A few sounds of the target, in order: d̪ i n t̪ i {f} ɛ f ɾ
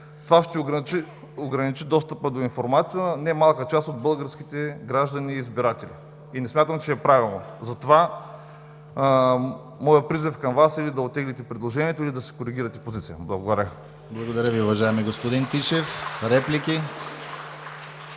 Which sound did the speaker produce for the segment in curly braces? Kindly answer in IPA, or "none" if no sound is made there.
ʃ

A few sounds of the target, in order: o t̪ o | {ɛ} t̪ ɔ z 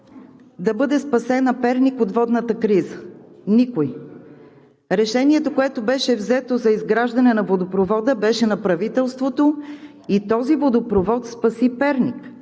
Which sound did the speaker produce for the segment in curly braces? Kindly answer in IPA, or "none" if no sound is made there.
i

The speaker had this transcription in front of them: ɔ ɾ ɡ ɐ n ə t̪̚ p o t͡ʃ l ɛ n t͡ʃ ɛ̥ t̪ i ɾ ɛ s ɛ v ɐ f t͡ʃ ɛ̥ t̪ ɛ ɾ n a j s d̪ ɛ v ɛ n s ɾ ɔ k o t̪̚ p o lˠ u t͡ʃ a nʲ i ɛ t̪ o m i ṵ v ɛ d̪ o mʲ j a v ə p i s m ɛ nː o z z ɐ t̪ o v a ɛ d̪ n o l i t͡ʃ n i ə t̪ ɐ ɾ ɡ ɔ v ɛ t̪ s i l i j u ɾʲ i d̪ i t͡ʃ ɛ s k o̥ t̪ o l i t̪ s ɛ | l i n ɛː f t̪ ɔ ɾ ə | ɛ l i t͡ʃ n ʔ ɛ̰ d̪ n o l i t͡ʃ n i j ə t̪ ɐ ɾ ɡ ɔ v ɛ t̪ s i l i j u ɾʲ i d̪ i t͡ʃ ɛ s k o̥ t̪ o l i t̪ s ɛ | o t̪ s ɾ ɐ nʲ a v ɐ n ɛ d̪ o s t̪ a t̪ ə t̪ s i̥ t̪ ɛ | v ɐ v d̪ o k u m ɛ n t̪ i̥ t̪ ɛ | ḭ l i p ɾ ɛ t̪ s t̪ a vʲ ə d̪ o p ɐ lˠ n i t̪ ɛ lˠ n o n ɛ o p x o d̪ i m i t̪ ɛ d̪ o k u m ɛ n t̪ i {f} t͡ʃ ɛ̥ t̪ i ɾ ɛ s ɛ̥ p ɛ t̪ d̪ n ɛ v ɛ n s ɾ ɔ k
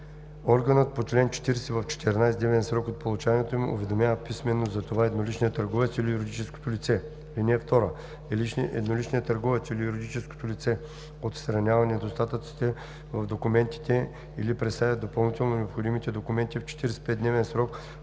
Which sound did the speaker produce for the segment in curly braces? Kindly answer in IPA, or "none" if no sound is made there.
f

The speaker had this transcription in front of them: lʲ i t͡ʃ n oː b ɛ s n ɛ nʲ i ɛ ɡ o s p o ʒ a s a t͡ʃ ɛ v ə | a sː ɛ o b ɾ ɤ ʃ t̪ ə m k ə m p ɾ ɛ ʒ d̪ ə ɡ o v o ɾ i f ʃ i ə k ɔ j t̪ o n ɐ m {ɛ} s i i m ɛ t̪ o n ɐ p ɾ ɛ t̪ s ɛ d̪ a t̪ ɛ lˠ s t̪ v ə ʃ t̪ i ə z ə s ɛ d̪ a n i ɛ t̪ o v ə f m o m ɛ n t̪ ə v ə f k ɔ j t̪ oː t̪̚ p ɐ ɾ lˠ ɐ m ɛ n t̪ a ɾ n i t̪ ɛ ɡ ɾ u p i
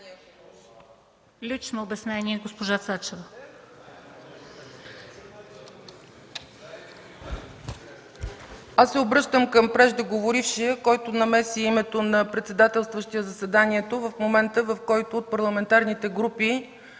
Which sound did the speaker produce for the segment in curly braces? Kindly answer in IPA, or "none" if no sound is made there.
ɛ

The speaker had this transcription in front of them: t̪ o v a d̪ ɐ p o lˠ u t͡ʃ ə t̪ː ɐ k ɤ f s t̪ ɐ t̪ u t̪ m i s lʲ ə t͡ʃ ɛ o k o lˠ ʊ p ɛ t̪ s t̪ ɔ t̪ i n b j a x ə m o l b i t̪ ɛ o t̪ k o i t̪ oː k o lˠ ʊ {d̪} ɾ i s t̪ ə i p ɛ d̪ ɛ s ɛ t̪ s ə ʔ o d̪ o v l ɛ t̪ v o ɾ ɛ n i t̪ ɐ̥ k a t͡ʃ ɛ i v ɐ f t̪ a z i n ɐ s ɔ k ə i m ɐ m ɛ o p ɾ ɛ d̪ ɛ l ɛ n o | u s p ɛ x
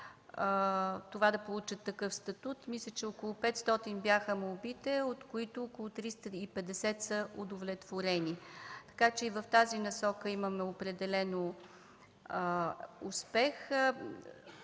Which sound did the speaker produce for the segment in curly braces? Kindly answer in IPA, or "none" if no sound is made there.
t̪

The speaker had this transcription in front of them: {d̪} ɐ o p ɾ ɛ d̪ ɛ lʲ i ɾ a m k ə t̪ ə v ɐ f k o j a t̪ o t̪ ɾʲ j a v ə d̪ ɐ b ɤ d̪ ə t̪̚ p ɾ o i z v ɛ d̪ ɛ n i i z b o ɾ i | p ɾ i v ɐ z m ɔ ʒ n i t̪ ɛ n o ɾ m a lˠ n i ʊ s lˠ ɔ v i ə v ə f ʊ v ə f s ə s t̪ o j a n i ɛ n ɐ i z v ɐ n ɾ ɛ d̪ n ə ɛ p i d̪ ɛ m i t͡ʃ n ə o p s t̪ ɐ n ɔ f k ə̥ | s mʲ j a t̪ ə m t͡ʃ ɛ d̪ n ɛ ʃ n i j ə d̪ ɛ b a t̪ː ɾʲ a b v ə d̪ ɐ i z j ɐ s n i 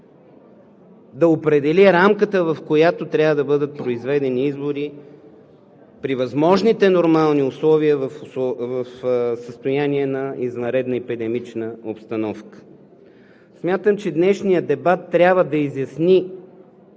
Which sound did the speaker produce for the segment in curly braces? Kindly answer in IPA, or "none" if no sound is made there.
d̪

